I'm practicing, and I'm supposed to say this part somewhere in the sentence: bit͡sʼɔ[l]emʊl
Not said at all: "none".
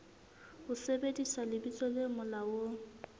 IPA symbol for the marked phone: l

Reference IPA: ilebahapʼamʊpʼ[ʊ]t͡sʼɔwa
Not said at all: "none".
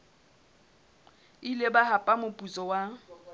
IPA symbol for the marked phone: u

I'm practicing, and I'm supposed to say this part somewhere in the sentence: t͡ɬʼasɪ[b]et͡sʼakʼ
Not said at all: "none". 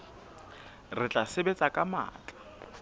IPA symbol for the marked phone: b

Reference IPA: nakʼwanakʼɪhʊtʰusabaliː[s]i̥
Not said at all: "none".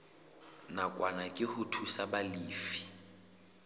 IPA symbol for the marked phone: f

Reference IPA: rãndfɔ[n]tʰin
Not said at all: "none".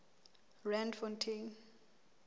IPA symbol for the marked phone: n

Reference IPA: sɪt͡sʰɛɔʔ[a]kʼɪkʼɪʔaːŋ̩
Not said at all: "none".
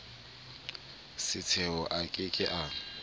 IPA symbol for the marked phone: a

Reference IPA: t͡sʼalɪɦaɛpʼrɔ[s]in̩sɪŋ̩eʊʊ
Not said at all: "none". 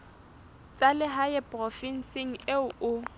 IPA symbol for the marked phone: f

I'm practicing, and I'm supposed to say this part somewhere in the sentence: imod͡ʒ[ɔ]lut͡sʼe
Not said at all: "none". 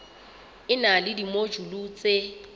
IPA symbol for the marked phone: u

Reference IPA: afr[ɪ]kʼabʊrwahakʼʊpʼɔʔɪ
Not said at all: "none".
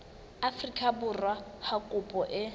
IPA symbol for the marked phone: i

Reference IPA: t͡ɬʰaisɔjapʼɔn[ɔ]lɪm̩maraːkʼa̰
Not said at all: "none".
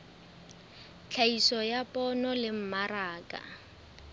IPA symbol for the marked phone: ɔ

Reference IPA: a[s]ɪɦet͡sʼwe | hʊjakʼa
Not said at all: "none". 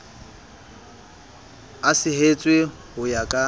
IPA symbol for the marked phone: s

